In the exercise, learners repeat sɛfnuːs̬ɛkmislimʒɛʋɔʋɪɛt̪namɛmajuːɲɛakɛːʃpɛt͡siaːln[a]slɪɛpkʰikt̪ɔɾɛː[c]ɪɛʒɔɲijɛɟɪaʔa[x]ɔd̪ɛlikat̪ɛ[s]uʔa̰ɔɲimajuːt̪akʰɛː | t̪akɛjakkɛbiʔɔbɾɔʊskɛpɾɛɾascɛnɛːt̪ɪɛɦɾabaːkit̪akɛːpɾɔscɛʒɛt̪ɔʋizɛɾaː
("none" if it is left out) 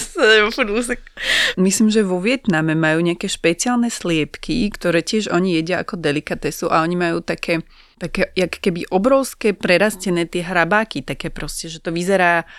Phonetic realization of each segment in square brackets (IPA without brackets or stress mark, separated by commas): ɛ, c, k, s